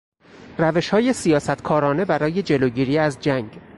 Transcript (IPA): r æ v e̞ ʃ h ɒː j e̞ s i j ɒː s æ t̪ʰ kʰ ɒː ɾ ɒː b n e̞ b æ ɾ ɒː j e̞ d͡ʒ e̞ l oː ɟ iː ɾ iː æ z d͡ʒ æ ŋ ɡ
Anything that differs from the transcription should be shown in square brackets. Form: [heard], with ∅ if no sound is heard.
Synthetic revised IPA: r æ v e̞ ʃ h ɒː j e̞ s i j ɒː s æ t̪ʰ kʰ ɒː ɾ ɒː [∅] n e̞ b æ ɾ ɒː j e̞ d͡ʒ e̞ l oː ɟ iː ɾ iː æ z d͡ʒ æ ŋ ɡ